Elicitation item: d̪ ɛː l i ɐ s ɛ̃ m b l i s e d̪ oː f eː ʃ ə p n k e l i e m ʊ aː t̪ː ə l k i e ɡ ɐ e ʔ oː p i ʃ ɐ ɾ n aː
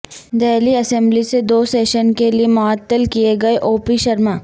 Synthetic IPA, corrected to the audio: d̪ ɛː l i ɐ s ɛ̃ m b l i s e d̪ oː s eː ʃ ə n k e l i e m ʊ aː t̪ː ə l k i e ɡ ɐ e ʔ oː p i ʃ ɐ ɾ m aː